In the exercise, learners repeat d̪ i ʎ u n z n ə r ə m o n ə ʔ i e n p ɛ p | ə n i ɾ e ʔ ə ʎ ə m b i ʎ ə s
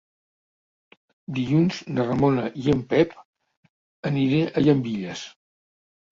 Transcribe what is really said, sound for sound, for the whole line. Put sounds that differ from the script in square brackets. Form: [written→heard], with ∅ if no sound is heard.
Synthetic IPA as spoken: d̪ i ʎ u n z n ə r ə m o n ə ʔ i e [n→m] p ɛ p | ə n i ɾ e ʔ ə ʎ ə m b i ʎ ə s